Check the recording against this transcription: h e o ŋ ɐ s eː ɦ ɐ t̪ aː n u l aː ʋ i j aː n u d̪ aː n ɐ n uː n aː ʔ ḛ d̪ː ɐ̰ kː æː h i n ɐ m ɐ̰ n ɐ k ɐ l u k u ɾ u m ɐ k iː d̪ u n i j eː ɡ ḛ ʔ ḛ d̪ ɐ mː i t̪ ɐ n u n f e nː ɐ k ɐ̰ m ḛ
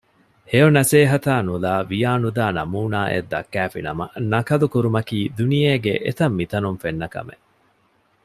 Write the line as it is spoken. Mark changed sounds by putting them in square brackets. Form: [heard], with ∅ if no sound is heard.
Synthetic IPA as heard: h e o [n] ɐ s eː ɦ ɐ t̪ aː n u l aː ʋ i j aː n u d̪ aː n ɐ [m] uː n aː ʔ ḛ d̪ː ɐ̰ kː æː [f] i n ɐ m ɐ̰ n ɐ k ɐ l u k u ɾ u m ɐ k iː d̪ u n i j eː ɡ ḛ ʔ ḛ [t̪] ɐ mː i t̪ ɐ n u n f e nː ɐ k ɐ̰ m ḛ